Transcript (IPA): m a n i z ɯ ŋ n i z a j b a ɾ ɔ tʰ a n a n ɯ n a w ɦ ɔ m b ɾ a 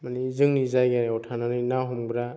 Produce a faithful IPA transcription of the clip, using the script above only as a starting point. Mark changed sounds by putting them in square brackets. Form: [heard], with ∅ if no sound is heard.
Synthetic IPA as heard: m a n i z ɯ ŋ n i z a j [ɡ] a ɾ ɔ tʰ a n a n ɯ n a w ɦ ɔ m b ɾ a